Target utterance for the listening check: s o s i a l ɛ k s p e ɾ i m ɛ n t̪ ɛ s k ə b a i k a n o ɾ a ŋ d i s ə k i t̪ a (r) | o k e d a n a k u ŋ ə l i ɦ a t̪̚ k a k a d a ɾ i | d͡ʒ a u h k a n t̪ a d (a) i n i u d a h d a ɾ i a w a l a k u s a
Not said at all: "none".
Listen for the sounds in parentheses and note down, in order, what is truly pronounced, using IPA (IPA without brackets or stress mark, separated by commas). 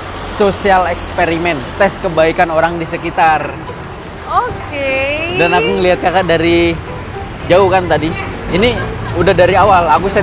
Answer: r, i